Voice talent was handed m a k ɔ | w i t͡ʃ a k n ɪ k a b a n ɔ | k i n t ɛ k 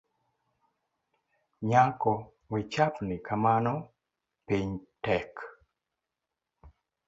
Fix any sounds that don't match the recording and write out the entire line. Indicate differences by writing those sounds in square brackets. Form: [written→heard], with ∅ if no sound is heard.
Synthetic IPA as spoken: [m→ɲ] a k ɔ | w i t͡ʃ a [k→p] n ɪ k a [b→m] a n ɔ | [k→p] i [n→ɲ] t ɛ k